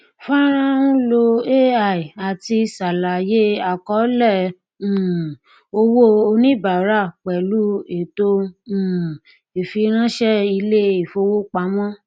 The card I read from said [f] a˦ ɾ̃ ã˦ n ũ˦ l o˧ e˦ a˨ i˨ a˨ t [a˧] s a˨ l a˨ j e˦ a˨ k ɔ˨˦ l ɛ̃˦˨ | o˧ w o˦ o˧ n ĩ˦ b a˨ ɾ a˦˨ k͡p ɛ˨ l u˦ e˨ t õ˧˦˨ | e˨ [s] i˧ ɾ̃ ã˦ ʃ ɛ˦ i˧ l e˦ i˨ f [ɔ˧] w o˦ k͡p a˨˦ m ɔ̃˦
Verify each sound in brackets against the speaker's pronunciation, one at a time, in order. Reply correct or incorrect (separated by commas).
correct, incorrect, incorrect, incorrect